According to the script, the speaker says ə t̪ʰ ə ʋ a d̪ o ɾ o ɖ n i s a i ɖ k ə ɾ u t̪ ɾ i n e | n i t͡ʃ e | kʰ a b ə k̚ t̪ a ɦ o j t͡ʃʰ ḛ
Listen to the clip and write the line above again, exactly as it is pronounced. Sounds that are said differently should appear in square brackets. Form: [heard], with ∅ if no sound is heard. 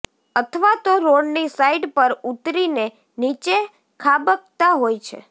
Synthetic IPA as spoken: ə t̪ʰ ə ʋ a [t̪] o ɾ o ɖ n i s a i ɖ [p] ə ɾ u t̪ ɾ i n e | n i t͡ʃ e | kʰ a b ə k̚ t̪ a ɦ o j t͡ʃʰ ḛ

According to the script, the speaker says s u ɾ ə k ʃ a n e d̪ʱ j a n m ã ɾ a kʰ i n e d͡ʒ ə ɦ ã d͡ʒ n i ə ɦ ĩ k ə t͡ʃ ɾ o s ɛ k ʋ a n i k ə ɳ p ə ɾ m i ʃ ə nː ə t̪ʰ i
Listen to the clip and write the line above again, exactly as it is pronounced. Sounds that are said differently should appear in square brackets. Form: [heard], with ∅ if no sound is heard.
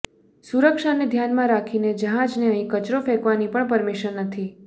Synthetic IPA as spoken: s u ɾ ə k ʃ a n e d̪ʱ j a n m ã ɾ a kʰ i n e d͡ʒ ə ɦ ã d͡ʒ n [e] ə ɦ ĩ k ə t͡ʃ ɾ o [f] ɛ k ʋ a n i [p] ə ɳ p ə ɾ m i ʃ ə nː ə t̪ʰ i

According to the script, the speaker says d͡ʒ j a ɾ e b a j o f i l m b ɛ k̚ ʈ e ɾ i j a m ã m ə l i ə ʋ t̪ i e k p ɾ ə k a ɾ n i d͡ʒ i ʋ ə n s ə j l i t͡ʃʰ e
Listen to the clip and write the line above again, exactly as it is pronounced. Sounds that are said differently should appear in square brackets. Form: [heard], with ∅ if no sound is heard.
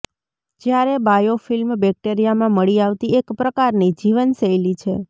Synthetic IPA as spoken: d͡ʒ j a ɾ e b a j o f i l m b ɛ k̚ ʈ e ɾ i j a m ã m ə [ɭ] i [a] ʋ t̪ i e k p ɾ ə k a ɾ n i d͡ʒ i ʋ ə n s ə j l i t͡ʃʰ e

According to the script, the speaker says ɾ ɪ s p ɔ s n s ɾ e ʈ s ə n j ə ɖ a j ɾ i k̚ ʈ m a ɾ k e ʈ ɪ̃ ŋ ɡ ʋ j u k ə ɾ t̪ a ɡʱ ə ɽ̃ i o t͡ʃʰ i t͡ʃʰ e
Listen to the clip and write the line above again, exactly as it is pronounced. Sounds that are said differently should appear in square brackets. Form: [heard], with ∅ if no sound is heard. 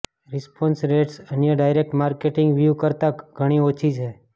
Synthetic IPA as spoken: ɾ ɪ s p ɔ [∅] n s ɾ e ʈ s ə n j ə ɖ a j ɾ [e] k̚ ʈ m a ɾ k e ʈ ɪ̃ ŋ ɡ ʋ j u k ə ɾ t̪ a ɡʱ ə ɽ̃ i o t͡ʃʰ i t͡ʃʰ e

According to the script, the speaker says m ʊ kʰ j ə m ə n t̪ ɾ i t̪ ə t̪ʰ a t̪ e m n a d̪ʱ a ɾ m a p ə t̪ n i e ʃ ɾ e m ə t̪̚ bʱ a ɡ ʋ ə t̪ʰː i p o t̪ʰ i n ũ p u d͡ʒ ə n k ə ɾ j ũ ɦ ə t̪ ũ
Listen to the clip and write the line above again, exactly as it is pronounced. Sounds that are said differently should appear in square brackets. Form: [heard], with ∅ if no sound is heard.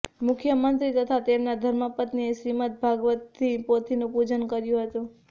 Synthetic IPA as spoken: m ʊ kʰ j ə m ə n t̪ ɾ i t̪ ə t̪ʰ a t̪ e m n a d̪ʱ [ə] ɾ m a p ə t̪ n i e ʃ ɾ [i] m ə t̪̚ bʱ a ɡ ʋ ə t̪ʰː i p o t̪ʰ i n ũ p u d͡ʒ ə n k ə ɾ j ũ ɦ ə t̪ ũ

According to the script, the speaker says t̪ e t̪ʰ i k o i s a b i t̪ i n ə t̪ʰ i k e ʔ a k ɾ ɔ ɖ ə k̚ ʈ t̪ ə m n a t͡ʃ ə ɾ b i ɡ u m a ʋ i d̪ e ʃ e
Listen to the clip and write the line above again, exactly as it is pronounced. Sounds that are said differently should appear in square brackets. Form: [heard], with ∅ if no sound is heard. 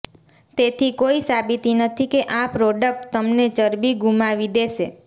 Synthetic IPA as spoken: t̪ e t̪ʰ i k o i s a b i t̪ i n ə t̪ʰ i k e ʔ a [p] ɾ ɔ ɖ ə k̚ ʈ t̪ ə m n [e] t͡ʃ ə ɾ b i ɡ u m a ʋ i d̪ e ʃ e

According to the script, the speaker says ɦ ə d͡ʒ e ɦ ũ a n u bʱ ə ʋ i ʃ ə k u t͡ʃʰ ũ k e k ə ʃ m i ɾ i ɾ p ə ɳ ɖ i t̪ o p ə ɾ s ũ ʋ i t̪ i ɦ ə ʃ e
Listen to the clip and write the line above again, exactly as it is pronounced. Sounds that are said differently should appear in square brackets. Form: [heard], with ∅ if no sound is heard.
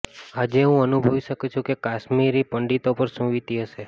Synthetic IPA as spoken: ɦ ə d͡ʒ e ɦ ũ [ə] n u bʱ ə ʋ i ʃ ə k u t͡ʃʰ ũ k e k [a] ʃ m i ɾ i [∅] p ə ɳ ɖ i t̪ o p ə ɾ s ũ ʋ i t̪ i ɦ ə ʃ e

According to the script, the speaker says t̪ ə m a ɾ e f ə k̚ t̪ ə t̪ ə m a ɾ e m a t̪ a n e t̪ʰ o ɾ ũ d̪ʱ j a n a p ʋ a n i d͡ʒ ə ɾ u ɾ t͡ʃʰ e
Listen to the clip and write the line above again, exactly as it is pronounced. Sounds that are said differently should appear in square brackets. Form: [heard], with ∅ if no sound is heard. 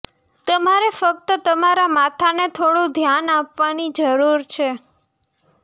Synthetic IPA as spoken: t̪ ə m a ɾ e f ə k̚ t̪ ə t̪ ə m a ɾ [a] m a [t̪ʰ] a n e t̪ʰ o [ɽ] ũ d̪ʱ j a n a p ʋ a n i d͡ʒ ə ɾ u ɾ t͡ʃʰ e

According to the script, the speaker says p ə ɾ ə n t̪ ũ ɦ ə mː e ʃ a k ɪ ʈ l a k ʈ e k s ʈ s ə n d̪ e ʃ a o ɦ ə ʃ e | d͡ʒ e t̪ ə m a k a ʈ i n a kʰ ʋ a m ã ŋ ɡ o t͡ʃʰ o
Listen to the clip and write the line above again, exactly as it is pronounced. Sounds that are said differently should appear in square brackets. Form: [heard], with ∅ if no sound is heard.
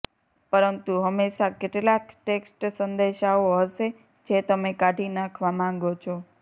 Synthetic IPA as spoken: p ə ɾ ə n t̪ [u] ɦ ə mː e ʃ a k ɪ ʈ l a k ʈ e k s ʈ s ə n d̪ e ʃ a o ɦ ə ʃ e | d͡ʒ e t̪ ə m [e] k a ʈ i n a kʰ ʋ a m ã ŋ ɡ o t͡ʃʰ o

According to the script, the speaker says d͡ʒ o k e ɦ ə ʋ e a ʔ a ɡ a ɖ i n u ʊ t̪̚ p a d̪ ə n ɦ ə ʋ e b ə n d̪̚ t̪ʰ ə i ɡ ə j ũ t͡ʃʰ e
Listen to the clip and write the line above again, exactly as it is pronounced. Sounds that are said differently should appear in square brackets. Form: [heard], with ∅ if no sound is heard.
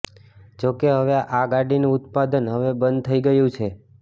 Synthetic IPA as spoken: d͡ʒ o k e ɦ ə ʋ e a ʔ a ɡ a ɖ i n u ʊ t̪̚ p a d̪ ə n ɦ ə ʋ e b ə n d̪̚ t̪ʰ ə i ɡ ə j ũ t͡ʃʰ e

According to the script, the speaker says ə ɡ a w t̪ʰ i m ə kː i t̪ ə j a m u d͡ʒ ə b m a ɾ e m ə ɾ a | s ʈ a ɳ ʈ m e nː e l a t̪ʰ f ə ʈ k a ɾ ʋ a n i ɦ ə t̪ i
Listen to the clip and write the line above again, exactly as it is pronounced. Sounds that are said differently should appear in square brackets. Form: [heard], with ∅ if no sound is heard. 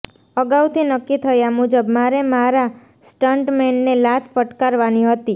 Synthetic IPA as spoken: ə ɡ a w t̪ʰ i [n] ə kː i [t̪ʰ] ə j a m u d͡ʒ ə b m a ɾ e m [a] ɾ a | s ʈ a ɳ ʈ m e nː e l a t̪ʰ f ə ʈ k a ɾ ʋ a n i ɦ ə t̪ i

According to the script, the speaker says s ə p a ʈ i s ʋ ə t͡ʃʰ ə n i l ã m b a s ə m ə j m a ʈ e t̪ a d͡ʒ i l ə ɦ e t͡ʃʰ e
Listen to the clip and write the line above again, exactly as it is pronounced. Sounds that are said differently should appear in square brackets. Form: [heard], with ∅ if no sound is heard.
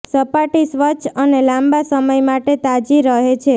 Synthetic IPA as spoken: s ə p a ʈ i s ʋ ə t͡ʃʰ ə n [e] l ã m b a s ə m ə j m a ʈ e t̪ a d͡ʒ i [ɾ] ə ɦ e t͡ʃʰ e

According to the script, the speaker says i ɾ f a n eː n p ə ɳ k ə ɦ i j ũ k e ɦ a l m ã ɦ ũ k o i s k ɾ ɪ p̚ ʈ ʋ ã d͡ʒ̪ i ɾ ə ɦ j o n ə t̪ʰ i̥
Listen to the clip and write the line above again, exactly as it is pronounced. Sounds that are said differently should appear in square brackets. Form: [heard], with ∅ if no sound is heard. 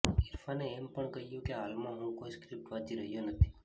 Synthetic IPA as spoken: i ɾ f a n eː [m] p ə ɳ k ə ɦ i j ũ k e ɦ a l m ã ɦ ũ k o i s k ɾ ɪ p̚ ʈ ʋ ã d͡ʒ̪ i ɾ ə ɦ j o n ə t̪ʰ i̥

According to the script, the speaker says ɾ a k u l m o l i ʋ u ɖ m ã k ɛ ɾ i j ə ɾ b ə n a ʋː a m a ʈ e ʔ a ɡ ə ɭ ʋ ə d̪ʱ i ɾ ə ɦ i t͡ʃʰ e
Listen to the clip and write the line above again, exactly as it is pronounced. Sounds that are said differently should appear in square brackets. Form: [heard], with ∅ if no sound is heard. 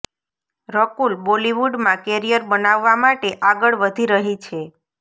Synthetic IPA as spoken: ɾ [ə] k u l [b] o l i ʋ u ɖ m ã k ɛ ɾ i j ə ɾ b ə n a ʋː a m a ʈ e ʔ a ɡ ə ɭ ʋ ə d̪ʱ i ɾ ə ɦ i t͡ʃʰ e

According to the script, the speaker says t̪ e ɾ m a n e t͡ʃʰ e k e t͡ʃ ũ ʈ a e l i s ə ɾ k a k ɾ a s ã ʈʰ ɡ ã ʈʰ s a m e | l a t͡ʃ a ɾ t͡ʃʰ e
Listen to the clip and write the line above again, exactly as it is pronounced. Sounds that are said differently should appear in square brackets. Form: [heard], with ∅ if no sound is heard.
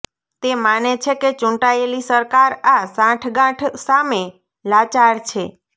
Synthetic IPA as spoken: t̪ e [∅] m a n e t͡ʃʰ e k e t͡ʃ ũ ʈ a e l i s ə ɾ k a [∅] ɾ a s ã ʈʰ ɡ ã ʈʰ s a m e | l a t͡ʃ a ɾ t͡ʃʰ e

